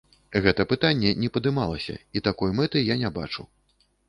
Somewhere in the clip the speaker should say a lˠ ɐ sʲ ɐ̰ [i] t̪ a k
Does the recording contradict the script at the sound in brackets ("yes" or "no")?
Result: no